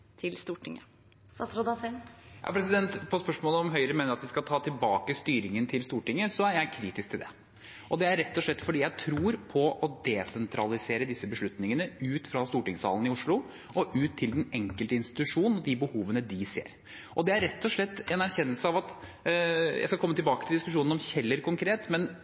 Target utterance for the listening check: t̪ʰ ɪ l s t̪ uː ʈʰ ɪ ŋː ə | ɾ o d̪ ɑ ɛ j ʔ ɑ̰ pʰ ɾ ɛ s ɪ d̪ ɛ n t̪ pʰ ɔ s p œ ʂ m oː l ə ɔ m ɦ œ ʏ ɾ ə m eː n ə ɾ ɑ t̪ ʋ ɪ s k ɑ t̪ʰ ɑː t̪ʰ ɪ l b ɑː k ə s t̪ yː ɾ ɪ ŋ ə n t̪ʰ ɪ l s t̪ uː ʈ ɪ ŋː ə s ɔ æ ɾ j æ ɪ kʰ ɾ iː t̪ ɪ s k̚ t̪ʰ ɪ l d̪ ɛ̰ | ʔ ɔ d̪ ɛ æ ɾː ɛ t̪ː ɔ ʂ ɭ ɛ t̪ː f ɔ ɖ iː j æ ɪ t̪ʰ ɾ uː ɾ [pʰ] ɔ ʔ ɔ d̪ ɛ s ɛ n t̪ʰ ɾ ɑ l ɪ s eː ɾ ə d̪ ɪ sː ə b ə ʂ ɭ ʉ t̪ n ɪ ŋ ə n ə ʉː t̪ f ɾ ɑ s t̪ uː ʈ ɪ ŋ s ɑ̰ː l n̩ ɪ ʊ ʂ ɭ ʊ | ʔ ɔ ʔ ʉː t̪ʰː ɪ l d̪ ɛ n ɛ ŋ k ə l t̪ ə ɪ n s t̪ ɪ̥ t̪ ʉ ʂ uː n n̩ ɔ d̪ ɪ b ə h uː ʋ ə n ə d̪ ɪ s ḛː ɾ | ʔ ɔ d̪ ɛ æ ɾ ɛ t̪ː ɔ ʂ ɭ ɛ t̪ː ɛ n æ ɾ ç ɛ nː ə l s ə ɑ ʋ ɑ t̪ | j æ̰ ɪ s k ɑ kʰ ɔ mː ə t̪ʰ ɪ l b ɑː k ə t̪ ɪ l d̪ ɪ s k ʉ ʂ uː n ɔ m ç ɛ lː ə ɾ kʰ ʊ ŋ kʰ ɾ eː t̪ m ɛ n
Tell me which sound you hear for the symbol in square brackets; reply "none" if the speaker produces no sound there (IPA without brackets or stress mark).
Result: pʰ